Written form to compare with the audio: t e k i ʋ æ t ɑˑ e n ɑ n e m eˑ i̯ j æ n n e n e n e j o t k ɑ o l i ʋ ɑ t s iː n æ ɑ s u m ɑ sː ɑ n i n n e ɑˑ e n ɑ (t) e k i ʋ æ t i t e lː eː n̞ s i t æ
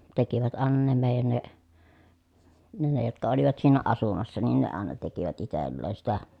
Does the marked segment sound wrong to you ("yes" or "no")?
no